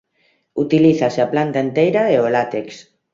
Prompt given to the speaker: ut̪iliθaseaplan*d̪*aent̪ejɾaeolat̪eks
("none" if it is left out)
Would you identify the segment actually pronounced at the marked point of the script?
t̪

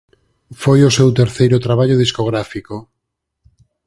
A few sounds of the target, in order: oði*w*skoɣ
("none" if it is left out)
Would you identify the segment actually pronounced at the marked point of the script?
none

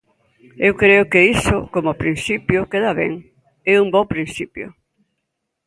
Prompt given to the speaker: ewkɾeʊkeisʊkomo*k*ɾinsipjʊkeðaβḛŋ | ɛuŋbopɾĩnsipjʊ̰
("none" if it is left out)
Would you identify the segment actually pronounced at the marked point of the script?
p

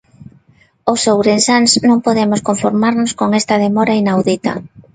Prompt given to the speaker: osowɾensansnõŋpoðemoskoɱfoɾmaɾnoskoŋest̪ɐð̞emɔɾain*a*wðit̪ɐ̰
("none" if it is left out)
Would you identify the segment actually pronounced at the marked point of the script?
a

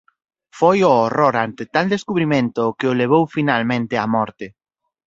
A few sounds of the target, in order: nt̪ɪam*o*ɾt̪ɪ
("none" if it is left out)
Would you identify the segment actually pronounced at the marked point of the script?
ɔ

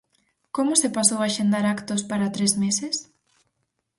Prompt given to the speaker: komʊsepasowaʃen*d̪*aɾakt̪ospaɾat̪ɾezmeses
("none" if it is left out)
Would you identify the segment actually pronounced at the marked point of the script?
d̪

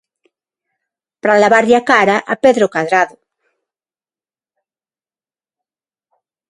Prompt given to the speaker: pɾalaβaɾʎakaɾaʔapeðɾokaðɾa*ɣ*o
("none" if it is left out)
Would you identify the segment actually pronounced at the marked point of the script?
ð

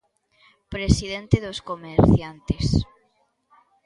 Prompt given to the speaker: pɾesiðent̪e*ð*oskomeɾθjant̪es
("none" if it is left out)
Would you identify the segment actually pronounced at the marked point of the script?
ð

